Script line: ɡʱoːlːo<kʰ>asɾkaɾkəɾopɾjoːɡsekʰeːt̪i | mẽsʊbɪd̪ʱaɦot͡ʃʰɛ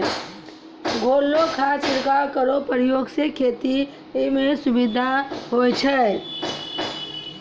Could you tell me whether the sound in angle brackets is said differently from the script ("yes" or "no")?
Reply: no